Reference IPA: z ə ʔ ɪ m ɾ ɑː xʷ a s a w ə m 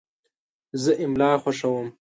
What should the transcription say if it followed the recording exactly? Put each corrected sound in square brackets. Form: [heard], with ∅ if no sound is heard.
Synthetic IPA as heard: z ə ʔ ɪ m [l] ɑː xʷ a [ʂ] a w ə m